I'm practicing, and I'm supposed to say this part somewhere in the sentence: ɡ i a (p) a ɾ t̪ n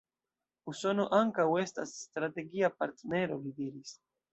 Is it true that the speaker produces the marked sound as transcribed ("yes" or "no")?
yes